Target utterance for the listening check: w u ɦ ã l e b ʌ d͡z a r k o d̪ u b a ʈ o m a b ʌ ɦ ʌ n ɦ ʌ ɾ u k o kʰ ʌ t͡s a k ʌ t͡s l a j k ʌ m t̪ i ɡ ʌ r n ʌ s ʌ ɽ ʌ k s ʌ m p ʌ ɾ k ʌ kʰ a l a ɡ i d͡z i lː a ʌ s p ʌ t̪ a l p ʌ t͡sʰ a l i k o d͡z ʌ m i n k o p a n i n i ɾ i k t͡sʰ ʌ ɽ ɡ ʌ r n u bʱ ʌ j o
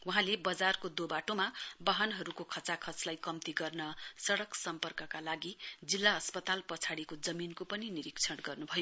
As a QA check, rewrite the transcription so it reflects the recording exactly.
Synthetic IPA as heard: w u ɦ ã l e b ʌ d͡z a r k o d̪ o b a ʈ o m a b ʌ ɦ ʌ n ɦ ʌ ɾ u k o kʰ ʌ t͡s a kʰ ʌ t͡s l a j k ʌ m t̪ i ɡ ʌ r n ʌ s ʌ ɽ ʌ k s ʌ m p ʌ r k ʌ k a l a ɡ i d͡z i lː a ʌ s p ʌ t̪ a l p ʌ t͡sʰ a ɽ i k o d͡z ʌ m i n k o p ʌ n i n i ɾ i k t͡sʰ ʌ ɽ ɡ ʌ r n u bʱ ʌ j o